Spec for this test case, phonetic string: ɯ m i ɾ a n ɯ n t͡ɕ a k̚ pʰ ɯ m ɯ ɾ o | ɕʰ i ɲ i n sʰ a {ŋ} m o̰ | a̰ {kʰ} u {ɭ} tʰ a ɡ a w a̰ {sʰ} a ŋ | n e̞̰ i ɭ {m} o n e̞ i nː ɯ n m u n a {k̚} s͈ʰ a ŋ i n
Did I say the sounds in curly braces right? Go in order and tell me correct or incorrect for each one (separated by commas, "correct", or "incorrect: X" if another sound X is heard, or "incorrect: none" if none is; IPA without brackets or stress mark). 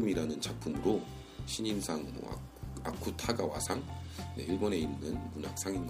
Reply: correct, correct, incorrect: none, correct, incorrect: b, correct